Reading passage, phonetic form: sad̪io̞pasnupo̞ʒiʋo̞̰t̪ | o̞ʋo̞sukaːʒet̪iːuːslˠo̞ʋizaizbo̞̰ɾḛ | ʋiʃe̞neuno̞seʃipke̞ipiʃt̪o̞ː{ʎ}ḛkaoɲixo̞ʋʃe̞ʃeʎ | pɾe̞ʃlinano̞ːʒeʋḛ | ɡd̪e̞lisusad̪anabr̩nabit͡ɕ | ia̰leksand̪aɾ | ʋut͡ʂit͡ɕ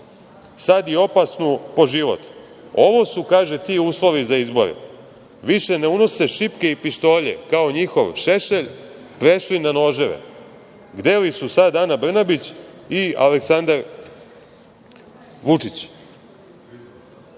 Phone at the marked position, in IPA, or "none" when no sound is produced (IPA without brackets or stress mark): ʎ